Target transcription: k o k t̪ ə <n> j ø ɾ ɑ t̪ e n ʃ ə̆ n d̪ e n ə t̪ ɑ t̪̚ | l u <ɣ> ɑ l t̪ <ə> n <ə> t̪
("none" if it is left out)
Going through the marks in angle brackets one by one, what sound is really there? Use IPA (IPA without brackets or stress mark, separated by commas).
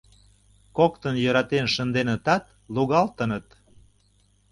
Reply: n, ɣ, ə, ə